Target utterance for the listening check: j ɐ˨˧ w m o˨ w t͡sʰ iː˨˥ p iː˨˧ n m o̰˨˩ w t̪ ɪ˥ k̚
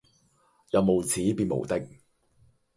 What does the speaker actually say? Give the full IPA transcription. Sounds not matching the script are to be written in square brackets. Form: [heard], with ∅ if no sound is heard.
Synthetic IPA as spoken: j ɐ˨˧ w m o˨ w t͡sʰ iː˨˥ p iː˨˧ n m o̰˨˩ w t̪ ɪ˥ k̚